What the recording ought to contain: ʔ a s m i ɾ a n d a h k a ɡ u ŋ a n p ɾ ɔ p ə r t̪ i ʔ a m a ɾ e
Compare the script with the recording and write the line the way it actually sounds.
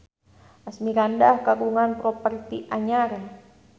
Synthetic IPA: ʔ a s m i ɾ a n d a h k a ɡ u ŋ a n p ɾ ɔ p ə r t̪ i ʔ a ɲ a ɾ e